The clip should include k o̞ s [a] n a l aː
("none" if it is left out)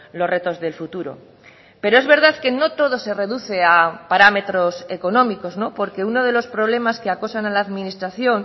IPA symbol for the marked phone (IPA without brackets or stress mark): a